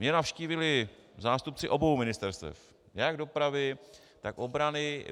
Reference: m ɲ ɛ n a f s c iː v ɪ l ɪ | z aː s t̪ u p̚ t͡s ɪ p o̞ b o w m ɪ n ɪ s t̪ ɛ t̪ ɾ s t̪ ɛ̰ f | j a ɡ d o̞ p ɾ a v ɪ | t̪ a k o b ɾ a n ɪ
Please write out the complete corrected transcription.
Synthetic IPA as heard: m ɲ ɛ n a f ʃ c iː v ɪ l ɪ | z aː s t̪ u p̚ t͡s ɪ ʔ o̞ b o w m ɪ n ɪ s t̪ ɛ ɾ s t̪ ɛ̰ f | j a ɡ d o̞ p ɾ a v ɪ | t̪ a k o b ɾ a n ɪ